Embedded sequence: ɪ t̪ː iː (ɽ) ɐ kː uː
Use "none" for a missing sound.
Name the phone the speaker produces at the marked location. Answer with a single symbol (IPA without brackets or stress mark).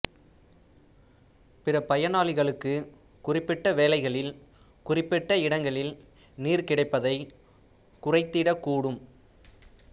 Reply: ɽ